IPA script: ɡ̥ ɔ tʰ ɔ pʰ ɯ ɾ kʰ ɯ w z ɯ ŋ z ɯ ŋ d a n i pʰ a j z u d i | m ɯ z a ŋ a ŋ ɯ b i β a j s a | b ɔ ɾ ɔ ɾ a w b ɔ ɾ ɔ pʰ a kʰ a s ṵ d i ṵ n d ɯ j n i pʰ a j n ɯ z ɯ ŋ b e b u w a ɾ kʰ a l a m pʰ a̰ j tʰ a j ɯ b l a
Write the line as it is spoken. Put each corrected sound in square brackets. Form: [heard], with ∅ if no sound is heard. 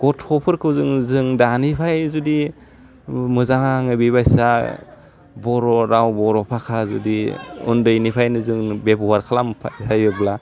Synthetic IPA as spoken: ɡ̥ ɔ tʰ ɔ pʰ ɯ ɾ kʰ ɯ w z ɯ ŋ z ɯ ŋ d a n i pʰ a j z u d i | m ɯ z a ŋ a ŋ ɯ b i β a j s a | b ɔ ɾ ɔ ɾ a w b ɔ ɾ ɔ pʰ a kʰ a [z] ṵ d i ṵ n d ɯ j n i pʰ a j n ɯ z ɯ ŋ b e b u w a ɾ kʰ a l a m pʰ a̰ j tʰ a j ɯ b l a